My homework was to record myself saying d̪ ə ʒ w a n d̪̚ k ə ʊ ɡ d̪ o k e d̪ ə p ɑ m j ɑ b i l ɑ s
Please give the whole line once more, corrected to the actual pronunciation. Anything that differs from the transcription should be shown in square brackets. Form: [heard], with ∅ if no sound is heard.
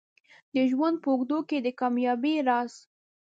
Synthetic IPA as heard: d̪ ə ʒ w a n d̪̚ [p] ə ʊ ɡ d̪ o k e d̪ ə [k] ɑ m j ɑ b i [ɾ] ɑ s